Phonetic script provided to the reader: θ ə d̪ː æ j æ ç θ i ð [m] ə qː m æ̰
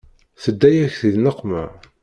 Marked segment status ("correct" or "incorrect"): incorrect